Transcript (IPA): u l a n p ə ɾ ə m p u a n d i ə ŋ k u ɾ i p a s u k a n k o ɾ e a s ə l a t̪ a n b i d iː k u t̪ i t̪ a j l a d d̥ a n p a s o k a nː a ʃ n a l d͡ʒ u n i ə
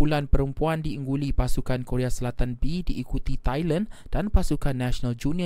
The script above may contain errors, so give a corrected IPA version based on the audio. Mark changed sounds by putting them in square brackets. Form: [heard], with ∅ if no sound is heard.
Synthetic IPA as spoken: u l a n p ə ɾ ə m p u a n d i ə ŋ [ɡ] u [l] i p a s u k a n k o ɾ e a s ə l a t̪ a n b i d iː k u t̪ i t̪ a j l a [n] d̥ a n p a s [u] k a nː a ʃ n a l d͡ʒ u n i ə